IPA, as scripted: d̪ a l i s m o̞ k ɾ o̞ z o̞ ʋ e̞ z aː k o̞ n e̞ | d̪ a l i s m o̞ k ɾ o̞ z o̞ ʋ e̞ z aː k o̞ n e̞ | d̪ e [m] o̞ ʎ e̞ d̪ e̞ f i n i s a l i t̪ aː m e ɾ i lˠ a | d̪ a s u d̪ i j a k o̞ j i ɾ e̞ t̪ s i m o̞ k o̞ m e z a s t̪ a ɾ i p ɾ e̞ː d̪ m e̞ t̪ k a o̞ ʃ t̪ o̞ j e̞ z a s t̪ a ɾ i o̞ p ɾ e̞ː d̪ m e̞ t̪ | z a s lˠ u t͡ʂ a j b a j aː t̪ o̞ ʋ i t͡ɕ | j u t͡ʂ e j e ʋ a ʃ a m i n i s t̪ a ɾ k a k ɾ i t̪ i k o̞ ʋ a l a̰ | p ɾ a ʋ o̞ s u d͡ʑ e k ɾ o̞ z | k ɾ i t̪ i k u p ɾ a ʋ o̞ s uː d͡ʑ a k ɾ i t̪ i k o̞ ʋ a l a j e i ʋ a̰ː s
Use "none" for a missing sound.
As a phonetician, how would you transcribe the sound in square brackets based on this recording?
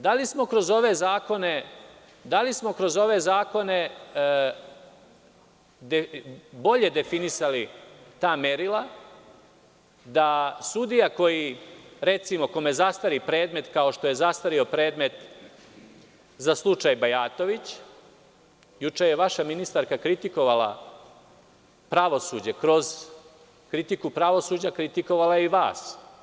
b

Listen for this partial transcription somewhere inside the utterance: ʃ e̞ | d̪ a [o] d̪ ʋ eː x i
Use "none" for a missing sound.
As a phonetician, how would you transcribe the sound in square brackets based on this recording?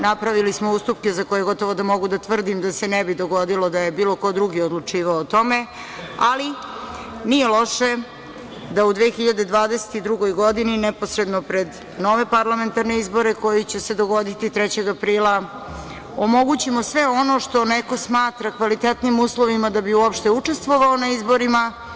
u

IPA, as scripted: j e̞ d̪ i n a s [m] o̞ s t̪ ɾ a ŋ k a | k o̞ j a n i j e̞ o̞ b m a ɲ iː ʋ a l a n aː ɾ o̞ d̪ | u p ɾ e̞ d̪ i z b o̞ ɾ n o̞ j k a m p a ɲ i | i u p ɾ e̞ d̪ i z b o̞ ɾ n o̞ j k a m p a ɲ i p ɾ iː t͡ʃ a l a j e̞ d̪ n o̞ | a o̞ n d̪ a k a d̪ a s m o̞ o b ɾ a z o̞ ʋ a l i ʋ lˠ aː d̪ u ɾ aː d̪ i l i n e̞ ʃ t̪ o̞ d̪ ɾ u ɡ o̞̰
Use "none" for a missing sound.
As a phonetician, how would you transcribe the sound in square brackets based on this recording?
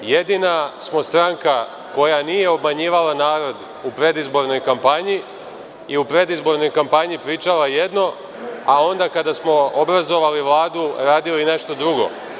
m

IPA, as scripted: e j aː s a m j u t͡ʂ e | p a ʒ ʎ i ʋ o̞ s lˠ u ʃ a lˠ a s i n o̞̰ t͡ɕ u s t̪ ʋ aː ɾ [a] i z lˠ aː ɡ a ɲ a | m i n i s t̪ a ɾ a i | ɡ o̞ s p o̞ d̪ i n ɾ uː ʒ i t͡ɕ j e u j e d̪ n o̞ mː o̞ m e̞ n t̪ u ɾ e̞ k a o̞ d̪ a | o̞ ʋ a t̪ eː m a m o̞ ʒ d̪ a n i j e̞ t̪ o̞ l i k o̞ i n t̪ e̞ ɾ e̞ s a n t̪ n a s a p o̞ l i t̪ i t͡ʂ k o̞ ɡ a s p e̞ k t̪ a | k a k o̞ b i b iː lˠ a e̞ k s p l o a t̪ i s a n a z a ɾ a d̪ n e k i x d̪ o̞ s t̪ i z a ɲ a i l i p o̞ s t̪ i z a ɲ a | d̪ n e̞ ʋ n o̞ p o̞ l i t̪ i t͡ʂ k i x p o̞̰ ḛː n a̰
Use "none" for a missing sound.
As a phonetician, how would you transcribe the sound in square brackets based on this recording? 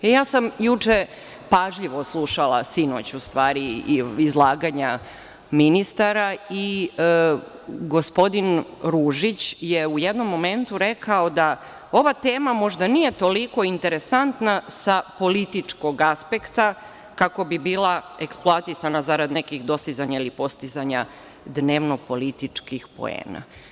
i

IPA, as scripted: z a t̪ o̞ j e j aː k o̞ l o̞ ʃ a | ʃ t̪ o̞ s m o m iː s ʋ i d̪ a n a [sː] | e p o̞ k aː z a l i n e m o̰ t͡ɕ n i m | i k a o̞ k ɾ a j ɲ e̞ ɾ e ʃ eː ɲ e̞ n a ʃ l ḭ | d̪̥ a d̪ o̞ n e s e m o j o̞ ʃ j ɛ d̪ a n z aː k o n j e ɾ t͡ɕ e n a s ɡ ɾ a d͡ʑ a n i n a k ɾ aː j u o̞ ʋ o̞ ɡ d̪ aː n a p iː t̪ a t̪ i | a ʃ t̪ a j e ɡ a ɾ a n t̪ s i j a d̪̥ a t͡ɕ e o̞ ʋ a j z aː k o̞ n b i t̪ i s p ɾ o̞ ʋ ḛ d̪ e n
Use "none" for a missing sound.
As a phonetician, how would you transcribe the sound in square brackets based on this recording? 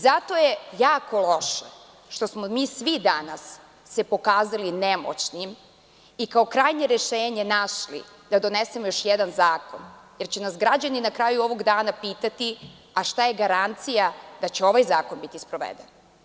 sː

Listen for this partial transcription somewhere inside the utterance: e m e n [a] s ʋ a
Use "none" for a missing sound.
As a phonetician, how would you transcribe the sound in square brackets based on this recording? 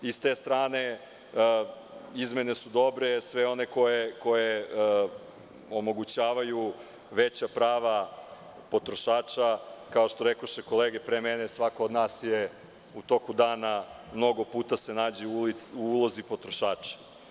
e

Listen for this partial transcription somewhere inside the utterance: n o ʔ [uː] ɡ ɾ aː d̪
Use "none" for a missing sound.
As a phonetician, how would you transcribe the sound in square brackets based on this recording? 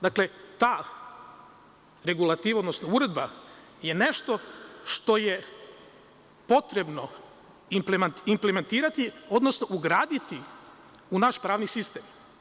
u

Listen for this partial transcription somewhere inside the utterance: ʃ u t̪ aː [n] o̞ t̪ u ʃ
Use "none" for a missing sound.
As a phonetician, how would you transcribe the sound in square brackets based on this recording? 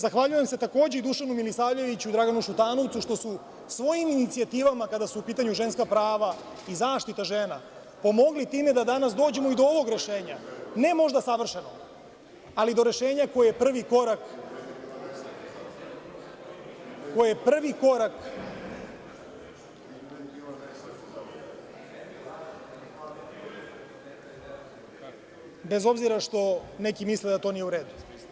n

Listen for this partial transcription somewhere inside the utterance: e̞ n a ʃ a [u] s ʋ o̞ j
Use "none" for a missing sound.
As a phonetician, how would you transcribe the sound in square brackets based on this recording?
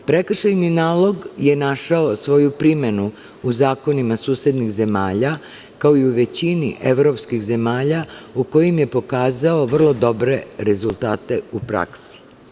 o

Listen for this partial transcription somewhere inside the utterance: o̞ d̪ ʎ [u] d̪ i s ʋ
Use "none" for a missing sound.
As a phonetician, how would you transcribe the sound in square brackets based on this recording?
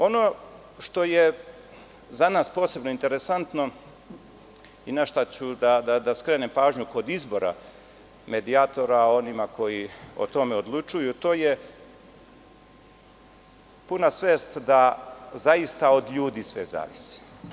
uː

